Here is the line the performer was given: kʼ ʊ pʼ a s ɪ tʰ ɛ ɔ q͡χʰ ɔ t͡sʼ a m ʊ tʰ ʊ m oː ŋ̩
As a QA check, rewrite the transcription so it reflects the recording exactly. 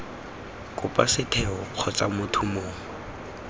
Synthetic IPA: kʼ ʊ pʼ a s ɪ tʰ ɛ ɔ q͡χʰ ɔ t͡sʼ a m ʊ tʰ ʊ m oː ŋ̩

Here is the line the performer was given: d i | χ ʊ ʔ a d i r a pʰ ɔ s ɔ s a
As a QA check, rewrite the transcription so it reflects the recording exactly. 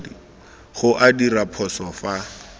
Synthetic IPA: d i | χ ʊ ʔ a d i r a pʰ ɔ s ɔ f a

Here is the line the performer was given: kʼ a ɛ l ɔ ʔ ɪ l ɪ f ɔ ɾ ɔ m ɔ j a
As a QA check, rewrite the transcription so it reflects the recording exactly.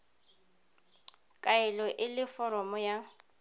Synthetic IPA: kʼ a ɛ l ɔ ʔ ɪ l ɪ f ɔ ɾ ɔ m ɔ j a

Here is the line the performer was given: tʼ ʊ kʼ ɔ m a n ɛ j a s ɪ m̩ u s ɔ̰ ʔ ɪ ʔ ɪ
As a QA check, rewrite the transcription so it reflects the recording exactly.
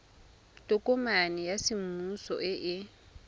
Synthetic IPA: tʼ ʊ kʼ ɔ m a n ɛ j a s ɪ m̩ u s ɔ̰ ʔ ɪ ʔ ɪ

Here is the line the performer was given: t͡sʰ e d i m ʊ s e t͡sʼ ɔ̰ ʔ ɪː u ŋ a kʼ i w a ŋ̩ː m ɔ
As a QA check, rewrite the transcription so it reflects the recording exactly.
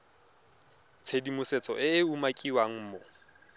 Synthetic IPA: t͡sʰ e d i m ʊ s e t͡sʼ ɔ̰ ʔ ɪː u m a kʼ i w a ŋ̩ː m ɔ

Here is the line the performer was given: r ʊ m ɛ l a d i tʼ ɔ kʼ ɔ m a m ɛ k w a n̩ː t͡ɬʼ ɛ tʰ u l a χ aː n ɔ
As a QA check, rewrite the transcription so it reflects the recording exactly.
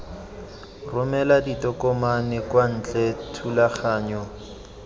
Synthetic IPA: r ʊ m ɛ l a d i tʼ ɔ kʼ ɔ m a n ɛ k w a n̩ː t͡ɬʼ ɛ tʰ u l a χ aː ɲ ɔ

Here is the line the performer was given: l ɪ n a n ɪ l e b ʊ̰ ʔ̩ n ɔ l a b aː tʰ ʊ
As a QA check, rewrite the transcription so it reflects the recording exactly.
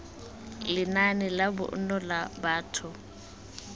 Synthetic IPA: l ɪ n a n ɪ l a b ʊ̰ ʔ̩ n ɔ l a b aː tʰ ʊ

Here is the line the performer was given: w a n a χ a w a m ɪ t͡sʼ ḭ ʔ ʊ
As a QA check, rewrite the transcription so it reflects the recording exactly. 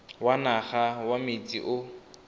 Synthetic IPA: w a n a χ a w a m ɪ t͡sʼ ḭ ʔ ʊ

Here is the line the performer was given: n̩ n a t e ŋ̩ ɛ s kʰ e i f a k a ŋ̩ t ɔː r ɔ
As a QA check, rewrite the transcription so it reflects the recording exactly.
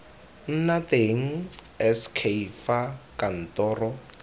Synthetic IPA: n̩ n a t e ŋ̩ ɛ s kʰ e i f a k a n̩ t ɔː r ɔ

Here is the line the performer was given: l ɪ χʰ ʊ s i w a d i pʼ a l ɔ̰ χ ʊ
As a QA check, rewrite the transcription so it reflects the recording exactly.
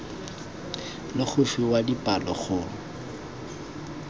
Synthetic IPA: l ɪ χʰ ʊ f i w a d i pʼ a l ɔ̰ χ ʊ

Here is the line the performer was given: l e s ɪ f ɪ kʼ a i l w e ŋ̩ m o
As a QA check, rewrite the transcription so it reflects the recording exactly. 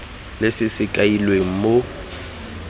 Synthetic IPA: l e s ɪ s ɪ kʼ a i l w e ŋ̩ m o

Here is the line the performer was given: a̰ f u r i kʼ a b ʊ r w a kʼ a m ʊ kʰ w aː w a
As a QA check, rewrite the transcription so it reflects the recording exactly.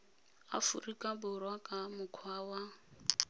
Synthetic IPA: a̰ f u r i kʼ a b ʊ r w a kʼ a m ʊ kʰ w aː w a

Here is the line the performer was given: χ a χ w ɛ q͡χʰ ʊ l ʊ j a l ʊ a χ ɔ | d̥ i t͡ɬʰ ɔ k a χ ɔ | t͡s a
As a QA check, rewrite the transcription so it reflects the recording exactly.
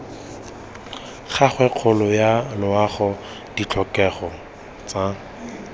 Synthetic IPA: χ a χ w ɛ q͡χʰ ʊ l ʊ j a l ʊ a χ ɔ | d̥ i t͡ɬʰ ɔ k ɛ χ ɔ | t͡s a

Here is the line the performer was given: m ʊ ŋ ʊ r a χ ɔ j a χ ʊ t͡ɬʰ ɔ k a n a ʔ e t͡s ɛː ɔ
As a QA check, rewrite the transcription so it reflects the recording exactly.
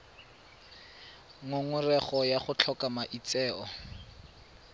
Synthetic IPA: ŋ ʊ ŋ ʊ r ɛ χ ɔ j a χ ʊ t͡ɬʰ ɔ k a m a ʔ i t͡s ɛː ɔ

